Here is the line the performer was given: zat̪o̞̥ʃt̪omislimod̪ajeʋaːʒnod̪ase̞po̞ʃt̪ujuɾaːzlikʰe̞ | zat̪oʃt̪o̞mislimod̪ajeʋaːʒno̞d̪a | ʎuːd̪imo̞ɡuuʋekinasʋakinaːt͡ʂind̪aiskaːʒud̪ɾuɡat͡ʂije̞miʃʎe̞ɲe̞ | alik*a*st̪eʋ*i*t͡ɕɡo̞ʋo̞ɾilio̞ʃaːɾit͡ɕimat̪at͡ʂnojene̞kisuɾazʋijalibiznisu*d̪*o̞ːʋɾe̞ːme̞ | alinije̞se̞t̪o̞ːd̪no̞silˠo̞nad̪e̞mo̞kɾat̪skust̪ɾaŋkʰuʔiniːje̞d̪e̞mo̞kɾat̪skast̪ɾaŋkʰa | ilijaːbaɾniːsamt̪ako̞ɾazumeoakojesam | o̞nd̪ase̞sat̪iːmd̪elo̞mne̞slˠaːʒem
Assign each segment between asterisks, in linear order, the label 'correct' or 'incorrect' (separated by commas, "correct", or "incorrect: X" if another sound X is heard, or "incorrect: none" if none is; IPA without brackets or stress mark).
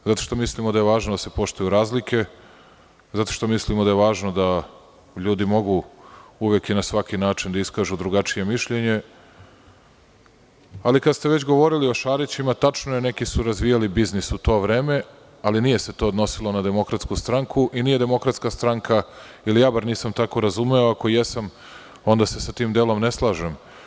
correct, incorrect: e, incorrect: t̪